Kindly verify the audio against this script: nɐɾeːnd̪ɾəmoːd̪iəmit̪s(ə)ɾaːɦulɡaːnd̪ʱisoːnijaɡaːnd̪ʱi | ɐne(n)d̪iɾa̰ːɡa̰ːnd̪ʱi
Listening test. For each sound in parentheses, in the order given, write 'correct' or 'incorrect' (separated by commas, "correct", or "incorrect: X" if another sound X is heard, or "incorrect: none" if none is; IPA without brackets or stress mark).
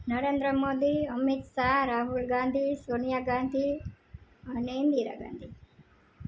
incorrect: a, correct